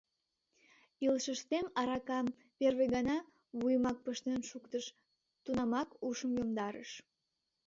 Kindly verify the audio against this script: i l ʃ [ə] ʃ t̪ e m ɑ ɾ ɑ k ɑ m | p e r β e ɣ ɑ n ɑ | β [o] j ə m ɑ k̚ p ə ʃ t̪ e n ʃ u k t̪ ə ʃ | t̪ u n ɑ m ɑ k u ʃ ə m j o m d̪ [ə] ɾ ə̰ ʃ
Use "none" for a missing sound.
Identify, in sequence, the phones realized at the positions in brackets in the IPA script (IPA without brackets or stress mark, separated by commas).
ə, u, ɑ